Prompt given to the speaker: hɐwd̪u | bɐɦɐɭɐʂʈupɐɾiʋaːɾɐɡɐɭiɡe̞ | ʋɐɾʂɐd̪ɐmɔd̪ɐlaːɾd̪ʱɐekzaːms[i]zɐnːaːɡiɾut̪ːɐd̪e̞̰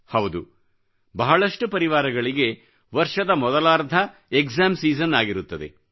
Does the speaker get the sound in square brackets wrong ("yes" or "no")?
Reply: yes